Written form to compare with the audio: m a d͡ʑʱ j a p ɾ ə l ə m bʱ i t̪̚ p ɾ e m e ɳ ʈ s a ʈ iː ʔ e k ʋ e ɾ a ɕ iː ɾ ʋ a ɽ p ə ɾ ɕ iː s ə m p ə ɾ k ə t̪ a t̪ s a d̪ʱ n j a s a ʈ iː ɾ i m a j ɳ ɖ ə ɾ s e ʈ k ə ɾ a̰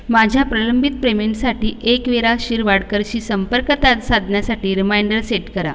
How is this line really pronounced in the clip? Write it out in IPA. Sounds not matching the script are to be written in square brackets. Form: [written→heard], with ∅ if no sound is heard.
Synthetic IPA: m a d͡ʑʱ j a p ɾ ə l ə m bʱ i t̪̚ p ɾ e m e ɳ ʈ s a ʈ iː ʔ e k ʋ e ɾ a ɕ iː ɾ ʋ a ɽ [p→k] ə ɾ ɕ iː s ə m p ə ɾ k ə t̪ a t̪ s a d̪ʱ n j a s a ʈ iː ɾ i m a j ɳ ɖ ə ɾ s e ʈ k ə ɾ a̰